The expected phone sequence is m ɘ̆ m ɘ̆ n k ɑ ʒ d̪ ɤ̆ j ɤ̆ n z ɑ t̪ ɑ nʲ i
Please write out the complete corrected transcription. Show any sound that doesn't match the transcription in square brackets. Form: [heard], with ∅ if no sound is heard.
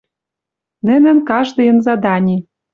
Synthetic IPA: [n] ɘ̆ [n] ɘ̆ n k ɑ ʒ d̪ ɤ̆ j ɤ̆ n z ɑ [d̪] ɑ nʲ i